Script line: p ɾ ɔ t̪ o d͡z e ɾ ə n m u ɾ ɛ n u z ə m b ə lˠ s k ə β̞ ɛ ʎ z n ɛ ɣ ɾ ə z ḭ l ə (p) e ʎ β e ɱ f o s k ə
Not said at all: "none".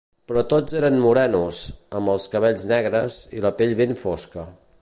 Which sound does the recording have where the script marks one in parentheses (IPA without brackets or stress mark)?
p